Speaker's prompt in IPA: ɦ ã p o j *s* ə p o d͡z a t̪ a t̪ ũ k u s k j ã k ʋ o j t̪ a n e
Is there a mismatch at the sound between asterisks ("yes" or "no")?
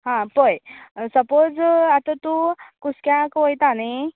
no